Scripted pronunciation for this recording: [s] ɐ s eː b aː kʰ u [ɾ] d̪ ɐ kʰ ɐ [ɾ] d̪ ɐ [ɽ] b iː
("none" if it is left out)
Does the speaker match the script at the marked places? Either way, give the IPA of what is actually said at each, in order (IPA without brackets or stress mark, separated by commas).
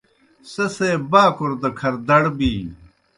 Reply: s, ɾ, ɾ, ɽ